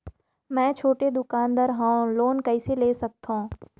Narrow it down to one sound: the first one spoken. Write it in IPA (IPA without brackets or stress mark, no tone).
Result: m